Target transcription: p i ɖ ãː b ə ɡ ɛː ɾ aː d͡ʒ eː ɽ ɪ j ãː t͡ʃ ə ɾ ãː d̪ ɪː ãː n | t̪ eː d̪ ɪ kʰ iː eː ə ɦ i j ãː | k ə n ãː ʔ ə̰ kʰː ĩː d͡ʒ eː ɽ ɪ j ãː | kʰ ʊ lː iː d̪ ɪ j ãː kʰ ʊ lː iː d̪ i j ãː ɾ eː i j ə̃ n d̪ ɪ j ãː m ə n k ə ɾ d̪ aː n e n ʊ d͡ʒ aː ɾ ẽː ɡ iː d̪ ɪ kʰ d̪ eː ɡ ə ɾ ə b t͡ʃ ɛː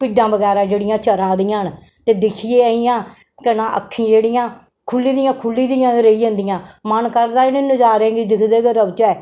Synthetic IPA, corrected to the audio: p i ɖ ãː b ə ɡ ɛː ɾ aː d͡ʒ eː ɽ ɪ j ãː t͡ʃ ə ɾ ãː d̪ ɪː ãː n | t̪ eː d̪ ɪ kʰ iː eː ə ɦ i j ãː | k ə n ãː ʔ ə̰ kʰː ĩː d͡ʒ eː ɽ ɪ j ãː | kʰ ʊ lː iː d̪ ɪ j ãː kʰ ʊ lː iː d̪ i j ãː ɾ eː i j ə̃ n d̪ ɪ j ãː m ə n k ə ɾ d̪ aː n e n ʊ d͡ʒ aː ɾ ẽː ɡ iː d̪ ɪ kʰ d̪ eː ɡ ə ɾ ə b t͡ʃ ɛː

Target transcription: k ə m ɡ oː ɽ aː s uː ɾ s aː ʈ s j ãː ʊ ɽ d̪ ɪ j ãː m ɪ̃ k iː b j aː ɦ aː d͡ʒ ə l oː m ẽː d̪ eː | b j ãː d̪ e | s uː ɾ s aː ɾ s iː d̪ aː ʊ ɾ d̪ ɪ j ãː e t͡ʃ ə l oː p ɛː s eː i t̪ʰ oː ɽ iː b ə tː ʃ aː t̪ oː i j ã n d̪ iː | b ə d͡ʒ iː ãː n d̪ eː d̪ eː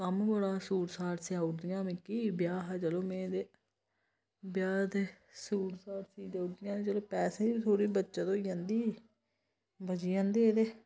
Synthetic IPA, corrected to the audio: k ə m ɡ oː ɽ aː s uː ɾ s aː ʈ s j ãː ʊ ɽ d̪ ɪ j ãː m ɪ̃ k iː b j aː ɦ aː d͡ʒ ə l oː m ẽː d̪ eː | b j aː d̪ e | s uː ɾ s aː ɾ s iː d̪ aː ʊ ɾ d̪ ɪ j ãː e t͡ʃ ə l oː p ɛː s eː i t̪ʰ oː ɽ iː b ə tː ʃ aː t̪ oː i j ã n d̪ iː | b ə d͡ʒ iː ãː n d̪ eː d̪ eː

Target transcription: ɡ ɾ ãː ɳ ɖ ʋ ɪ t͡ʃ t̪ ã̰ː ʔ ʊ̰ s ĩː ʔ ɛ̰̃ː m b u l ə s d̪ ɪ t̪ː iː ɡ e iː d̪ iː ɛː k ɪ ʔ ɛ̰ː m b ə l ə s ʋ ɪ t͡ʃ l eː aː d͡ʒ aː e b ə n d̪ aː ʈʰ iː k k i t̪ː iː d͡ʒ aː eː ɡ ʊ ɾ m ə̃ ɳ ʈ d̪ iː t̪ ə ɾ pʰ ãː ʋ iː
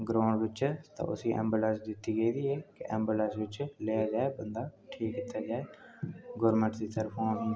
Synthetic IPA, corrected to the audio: ɡ ɾ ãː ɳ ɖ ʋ ɪ t͡ʃ t̪ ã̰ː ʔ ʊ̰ s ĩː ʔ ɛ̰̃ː m b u l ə s d̪ ɪ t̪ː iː ɡ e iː d̪ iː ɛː k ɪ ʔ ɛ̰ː m b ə l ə s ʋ ɪ t͡ʃ l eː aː d͡ʒ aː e b ə n d̪ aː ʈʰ iː k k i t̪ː aː d͡ʒ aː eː ɡ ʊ ɾ m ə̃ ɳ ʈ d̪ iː t̪ ə ɾ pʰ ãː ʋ iː

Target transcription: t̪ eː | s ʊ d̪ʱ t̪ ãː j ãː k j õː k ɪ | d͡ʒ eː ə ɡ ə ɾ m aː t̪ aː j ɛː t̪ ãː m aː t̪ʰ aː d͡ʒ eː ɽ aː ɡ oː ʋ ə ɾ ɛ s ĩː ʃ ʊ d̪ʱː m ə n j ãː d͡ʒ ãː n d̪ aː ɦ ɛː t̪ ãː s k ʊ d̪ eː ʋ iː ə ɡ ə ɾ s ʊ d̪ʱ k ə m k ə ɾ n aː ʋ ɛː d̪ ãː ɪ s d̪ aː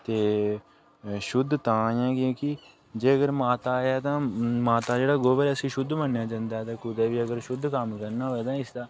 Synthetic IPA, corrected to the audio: t̪ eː | ʃ ʊ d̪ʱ t̪ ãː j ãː k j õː k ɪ | d͡ʒ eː ə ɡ ə ɾ m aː t̪ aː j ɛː t̪ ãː m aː t̪ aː d͡ʒ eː ɽ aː ɡ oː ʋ ə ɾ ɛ s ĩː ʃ ʊ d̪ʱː m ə n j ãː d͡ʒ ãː n d̪ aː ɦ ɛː t̪ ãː k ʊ d̪ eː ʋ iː ə ɡ ə ɾ ʃ ʊ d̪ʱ k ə m k ə ɾ n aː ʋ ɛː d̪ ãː ɪ s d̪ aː

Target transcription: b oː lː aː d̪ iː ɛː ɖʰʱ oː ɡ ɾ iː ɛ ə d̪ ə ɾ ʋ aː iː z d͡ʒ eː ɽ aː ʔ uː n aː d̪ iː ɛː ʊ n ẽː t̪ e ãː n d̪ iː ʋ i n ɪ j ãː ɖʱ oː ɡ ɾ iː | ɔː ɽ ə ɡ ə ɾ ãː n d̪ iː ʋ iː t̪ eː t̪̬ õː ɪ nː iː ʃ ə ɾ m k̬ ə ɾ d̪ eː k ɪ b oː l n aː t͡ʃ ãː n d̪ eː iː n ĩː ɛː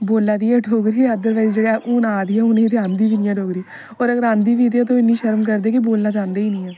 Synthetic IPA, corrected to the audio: b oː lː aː d̪ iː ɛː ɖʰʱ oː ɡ ɾ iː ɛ ə d̪ ə ɾ ʋ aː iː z d͡ʒ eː ɽ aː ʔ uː n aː d̪ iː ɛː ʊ n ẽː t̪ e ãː n d̪ iː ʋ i n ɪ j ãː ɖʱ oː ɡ ɾ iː | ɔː ɾ ə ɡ ə ɾ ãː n d̪ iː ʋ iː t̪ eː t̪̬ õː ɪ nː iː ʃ ə ɾ m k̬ ə ɾ d̪ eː k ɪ b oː l n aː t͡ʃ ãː n d̪ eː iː n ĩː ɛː

